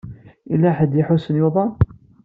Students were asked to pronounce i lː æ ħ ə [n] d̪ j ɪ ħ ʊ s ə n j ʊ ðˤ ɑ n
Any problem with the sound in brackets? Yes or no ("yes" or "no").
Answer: yes